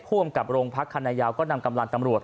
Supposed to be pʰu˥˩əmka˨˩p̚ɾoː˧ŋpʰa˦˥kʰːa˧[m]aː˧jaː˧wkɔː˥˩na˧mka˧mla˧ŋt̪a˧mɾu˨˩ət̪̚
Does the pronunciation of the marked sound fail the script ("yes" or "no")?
yes